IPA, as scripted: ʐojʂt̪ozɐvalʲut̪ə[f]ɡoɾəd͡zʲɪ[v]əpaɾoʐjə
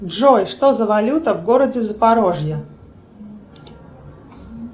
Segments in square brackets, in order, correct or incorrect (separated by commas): incorrect, incorrect